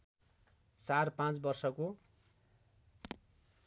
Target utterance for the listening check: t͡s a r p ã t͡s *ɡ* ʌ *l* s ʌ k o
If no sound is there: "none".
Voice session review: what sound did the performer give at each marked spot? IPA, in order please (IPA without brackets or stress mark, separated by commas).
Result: b, r